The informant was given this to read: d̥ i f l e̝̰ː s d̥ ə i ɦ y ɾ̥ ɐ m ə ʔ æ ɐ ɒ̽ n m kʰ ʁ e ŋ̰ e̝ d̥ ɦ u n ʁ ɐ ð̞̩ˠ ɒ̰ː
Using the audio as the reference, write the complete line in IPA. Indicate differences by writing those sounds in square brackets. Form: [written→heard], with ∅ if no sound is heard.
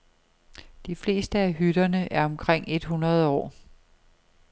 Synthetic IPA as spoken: d̥ i f l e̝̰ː s d̥ ə [i→æ] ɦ y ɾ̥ ɐ [m→n] ə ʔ æ ɐ ɒ̽ [n→∅] m kʰ ʁ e ŋ̰ e̝ d̥ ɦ u n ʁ ɐ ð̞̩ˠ ɒ̰ː